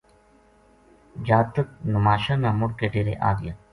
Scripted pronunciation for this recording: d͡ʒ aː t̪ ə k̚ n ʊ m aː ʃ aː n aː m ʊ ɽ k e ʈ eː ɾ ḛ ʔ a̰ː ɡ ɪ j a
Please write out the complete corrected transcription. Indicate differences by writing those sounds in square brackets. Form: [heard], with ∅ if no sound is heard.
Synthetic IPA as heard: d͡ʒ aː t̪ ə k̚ n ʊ m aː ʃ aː n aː m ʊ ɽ k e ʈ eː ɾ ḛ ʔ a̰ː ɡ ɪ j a